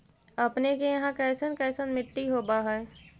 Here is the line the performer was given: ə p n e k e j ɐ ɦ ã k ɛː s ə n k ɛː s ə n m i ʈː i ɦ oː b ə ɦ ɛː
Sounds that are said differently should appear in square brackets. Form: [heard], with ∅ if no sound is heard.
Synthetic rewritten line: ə p n e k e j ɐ ɦ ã k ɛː s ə n k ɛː s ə n m [ɪ] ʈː i ɦ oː b [a] ɦ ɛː